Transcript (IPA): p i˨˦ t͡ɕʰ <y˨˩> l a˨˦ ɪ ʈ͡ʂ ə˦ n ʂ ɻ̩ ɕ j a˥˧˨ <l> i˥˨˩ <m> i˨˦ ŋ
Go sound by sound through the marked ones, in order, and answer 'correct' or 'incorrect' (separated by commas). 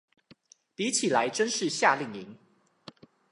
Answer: incorrect, correct, incorrect